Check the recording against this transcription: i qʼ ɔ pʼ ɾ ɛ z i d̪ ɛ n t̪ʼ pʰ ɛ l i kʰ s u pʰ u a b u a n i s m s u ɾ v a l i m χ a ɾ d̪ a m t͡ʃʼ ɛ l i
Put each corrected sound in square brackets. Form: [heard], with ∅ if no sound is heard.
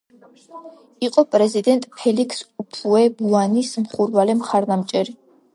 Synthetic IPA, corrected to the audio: i qʼ ɔ pʼ ɾ ɛ z i d̪ ɛ n t̪ʼ pʰ ɛ l i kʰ s u pʰ u [ɛ] b u a n i s m [χ] u ɾ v a l [ɛ] m χ a ɾ d̪ a m t͡ʃʼ ɛ [ɾ] i